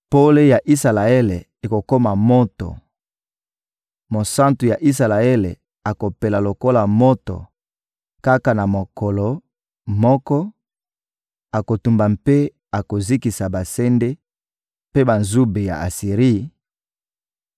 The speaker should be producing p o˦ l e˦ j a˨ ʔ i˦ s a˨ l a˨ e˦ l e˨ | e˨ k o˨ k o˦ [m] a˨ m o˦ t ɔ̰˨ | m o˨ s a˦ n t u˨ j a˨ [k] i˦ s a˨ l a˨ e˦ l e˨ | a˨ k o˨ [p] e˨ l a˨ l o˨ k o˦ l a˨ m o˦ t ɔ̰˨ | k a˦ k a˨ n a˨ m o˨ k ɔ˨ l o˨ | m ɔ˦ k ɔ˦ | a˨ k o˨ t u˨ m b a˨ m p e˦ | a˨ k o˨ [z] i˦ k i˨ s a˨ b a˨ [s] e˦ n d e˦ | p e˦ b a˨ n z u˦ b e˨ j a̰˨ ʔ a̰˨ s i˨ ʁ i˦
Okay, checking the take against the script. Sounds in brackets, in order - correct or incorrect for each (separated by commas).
correct, incorrect, correct, correct, correct